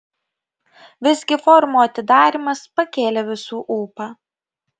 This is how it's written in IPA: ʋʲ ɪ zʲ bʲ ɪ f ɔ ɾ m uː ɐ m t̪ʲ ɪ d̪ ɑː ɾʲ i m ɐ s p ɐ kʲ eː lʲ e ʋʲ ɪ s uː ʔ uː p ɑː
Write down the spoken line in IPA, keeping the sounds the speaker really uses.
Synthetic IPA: ʋʲ ɪ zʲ ɡʲ ɪ f ɔ ɾ m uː ɐ t̪ʲ ɪ d̪ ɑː ɾʲ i m ɐ s p ɐ kʲ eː lʲ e ʋʲ ɪ s uː ʔ uː p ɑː

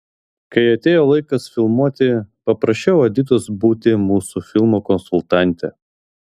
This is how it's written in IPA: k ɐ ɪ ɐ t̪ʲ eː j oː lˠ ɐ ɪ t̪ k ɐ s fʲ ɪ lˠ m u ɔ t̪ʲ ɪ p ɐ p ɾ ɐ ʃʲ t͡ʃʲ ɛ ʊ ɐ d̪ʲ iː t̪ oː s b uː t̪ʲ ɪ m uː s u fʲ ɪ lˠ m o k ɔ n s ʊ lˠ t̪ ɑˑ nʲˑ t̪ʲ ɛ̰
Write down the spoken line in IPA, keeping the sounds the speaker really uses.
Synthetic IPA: k ɐ ɪ ɐ t̪ʲ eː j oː lˠ ɐ ɪ k ɐ s fʲ ɪ lˠ m u ɔ t̪ʲ ɪ p ɐ p ɾ ɐ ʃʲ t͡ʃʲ ɛ ʊ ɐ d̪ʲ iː t̪ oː s b uː t̪ʲ ɪ m uː s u fʲ ɪ lˠ m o k ɔ n s ʊ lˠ t̪ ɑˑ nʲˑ t̪ʲ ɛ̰

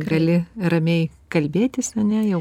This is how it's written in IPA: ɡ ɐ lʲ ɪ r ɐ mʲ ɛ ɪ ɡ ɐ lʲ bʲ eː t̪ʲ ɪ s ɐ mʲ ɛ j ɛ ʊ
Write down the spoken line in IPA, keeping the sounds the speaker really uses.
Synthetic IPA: ɡ ɐ lʲ ɪ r ɐ mʲ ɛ ɪ k ɐ lʲ bʲ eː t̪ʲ ɪ s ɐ nʲ ɛ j ɛ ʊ

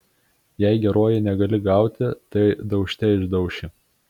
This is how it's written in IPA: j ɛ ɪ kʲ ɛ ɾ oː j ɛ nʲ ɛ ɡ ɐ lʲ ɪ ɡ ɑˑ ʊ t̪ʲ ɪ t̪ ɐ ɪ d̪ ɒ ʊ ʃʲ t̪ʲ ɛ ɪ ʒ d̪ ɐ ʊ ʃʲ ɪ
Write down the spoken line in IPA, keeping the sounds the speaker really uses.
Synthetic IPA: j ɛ ɪ ɡʲ ɛ ɾ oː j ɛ nʲ ɛ ɡ ɐ lʲ ɪ ɡ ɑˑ ʊ t̪ʲ ɪ t̪ ɐ ɪ d̪ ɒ ʊ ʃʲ t̪ʲ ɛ ɪ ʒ d̪ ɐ ʊ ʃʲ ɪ

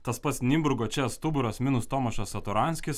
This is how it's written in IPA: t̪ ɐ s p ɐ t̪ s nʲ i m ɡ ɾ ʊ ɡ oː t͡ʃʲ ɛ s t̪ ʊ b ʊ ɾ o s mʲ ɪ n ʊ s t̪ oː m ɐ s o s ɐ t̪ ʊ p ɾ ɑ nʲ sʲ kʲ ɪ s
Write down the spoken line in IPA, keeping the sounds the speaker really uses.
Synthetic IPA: t̪ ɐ s p ɐ t̪ s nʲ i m b ɾ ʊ ɡ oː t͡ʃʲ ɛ s t̪ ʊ b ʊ ɾ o s mʲ ɪ n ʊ s t̪ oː m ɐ ʃ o s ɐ t̪ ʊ ɾ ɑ nʲ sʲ kʲ ɪ s

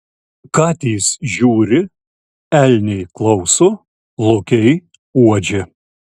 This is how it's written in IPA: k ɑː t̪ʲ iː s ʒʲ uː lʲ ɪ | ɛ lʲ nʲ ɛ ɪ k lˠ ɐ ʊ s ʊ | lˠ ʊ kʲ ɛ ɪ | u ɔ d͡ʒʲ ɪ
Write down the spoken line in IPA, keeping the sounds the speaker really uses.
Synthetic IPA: k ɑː t̪ʲ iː s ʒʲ uː ɾʲ ɪ | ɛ lʲ nʲ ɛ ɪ k lˠ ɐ ʊ s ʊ | lˠ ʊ kʲ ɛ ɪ | u ɔ d͡ʒʲ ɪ

